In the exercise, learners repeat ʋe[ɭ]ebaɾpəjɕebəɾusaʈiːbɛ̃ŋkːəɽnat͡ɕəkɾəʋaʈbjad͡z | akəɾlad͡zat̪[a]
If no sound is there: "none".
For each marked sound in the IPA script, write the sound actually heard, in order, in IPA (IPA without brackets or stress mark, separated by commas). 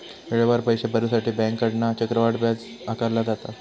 ɭ, a